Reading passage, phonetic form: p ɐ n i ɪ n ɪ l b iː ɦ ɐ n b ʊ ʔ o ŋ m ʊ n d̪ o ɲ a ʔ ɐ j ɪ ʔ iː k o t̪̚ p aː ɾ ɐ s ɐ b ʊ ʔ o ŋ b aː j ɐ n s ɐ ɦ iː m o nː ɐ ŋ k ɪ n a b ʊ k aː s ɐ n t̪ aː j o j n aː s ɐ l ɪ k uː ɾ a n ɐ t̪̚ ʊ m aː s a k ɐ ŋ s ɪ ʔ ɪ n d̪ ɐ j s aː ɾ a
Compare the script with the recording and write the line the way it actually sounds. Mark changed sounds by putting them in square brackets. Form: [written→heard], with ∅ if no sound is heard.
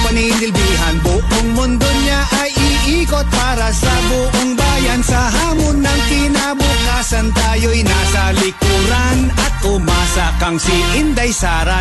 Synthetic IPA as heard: p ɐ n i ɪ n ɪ l b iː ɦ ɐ n b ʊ ʔ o ŋ m ʊ n d̪ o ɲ a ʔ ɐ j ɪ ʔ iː k o t̪̚ p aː ɾ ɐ s ɐ b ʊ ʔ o ŋ b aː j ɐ n s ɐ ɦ [iː→aː] m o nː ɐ ŋ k ɪ n a b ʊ k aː s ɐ n t̪ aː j o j n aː s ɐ l ɪ k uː ɾ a n ɐ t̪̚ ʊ m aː s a k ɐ ŋ s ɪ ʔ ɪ n d̪ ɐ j s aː ɾ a